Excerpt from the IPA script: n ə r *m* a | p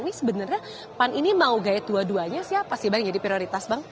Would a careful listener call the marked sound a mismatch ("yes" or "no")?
yes